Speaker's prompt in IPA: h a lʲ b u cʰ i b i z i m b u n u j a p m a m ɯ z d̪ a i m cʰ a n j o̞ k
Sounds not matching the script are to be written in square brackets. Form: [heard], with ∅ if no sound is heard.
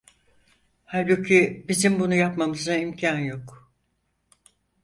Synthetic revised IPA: h a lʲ b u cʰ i b i z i m b u n u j a p m a m ɯ z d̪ a i m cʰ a n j o̞ k

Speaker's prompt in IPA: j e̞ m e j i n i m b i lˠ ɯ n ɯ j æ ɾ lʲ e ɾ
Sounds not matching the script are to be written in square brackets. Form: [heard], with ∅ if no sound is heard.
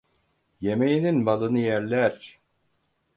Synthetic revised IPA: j e̞ m e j i n i [n] b [a] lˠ ɯ n ɯ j æ ɾ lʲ [æ] ɾ

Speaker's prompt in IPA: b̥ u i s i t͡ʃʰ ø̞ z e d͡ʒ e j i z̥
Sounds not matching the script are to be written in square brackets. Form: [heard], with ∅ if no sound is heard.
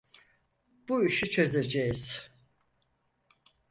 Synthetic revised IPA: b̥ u i [ʃ] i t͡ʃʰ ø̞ z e d͡ʒ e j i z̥

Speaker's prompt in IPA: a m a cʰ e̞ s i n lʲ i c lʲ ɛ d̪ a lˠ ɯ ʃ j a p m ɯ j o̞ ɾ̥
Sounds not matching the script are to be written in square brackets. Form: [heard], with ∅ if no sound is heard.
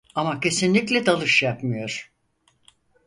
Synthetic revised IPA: a m a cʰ e̞ s i n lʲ i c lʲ ɛ d̪ a lˠ ɯ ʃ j a p m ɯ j o̞ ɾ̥

